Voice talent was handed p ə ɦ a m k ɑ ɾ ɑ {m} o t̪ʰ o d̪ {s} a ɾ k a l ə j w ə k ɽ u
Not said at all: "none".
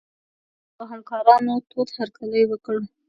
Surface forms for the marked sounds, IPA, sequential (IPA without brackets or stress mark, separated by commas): n, h